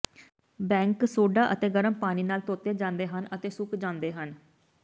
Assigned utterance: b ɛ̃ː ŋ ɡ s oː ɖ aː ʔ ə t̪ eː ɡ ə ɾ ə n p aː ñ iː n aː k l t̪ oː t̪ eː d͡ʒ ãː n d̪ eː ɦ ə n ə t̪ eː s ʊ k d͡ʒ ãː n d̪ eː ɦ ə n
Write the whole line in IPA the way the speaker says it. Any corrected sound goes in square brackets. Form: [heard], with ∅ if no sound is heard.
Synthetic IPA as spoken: b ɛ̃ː ŋ [k] s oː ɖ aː ʔ ə t̪ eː ɡ ə ɾ ə [m] p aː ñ iː n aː [∅] l t̪ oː t̪ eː d͡ʒ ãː n d̪ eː ɦ ə n ə t̪ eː s ʊ k d͡ʒ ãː n d̪ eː ɦ ə n